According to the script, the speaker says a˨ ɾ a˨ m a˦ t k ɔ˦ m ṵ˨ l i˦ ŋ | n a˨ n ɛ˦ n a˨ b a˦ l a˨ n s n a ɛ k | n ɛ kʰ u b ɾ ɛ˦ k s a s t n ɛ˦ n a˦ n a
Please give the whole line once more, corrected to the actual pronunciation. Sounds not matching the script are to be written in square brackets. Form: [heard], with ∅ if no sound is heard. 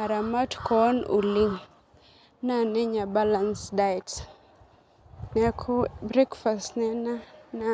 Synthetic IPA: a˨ ɾ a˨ m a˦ t k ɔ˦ [n] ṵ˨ l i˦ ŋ | n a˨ n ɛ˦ [ɲ] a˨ b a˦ l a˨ n s [d] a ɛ [t] | n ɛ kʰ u b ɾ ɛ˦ k [f] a s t n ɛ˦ n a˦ n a

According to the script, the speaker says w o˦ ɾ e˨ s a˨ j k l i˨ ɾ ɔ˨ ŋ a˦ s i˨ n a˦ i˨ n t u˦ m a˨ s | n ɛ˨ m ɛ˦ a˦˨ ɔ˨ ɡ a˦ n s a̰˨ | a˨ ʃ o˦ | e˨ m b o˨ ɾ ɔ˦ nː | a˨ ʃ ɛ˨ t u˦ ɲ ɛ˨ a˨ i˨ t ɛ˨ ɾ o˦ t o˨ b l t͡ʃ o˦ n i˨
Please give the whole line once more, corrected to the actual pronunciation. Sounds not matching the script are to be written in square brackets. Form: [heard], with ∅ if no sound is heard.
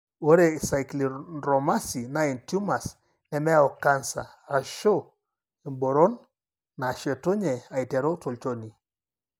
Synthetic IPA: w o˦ ɾ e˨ s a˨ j k l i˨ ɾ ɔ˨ [m] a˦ s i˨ n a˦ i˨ n t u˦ m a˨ s | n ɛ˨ m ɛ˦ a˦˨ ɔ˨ [k] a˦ n s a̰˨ | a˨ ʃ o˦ | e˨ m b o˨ ɾ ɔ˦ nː | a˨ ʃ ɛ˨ t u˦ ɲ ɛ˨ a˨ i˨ t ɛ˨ ɾ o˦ t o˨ [∅] l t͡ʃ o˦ n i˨

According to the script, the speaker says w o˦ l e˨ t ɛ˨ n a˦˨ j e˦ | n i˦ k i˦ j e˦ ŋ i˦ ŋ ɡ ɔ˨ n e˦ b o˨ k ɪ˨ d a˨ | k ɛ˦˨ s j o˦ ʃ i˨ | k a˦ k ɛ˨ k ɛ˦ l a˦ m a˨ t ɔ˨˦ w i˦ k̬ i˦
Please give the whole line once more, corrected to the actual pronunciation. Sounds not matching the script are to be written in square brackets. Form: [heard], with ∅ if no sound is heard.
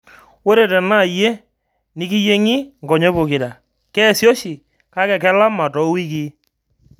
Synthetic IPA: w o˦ [ɾ] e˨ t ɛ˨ n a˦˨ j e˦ | n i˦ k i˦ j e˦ ŋ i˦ ŋ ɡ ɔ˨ [ɲ] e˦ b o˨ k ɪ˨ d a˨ | k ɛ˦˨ s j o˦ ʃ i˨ | k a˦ k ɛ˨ k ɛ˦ l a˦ m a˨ t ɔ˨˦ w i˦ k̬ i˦

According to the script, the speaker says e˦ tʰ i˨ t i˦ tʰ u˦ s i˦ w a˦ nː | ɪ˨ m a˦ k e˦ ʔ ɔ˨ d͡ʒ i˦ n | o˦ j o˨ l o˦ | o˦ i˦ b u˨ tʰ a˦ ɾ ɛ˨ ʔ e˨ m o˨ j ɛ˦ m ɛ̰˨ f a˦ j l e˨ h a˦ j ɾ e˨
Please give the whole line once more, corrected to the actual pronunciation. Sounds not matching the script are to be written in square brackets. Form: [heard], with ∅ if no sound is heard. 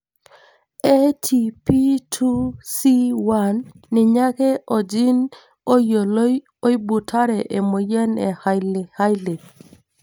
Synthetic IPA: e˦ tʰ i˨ [p] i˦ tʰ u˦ s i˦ w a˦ nː | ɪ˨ [ɲ] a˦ k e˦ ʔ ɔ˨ d͡ʒ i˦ n | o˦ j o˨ l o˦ | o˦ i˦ b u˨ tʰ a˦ ɾ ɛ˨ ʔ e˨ m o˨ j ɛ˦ [n] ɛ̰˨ [h] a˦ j l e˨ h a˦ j [l] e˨

